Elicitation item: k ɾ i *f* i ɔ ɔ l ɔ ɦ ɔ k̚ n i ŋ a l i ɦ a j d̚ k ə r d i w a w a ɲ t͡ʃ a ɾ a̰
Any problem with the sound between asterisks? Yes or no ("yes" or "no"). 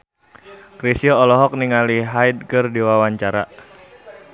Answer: yes